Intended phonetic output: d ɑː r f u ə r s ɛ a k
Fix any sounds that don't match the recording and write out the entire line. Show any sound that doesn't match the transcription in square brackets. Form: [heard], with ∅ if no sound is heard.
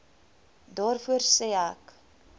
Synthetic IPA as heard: d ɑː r f u ə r s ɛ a k